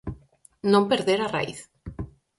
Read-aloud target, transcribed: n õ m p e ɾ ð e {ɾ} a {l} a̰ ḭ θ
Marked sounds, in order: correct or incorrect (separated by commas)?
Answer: correct, incorrect